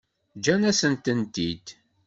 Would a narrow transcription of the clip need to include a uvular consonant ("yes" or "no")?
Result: no